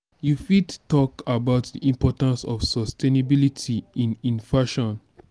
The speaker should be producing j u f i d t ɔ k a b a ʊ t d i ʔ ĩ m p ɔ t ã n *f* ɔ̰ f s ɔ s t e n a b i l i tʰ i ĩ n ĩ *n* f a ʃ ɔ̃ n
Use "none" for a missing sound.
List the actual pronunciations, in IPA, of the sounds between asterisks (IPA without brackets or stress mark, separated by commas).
s, n